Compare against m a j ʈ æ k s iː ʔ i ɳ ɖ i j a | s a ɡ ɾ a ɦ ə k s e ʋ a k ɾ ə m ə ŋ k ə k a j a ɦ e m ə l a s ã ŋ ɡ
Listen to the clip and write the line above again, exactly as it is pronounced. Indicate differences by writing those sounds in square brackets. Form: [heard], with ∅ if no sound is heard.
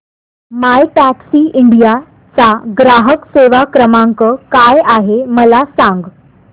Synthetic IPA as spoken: m a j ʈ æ k s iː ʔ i ɳ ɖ i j a | [t͡s] a ɡ ɾ a ɦ ə k s e ʋ a k ɾ ə m [a] ŋ k ə k a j a ɦ e m ə l a s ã ŋ ɡ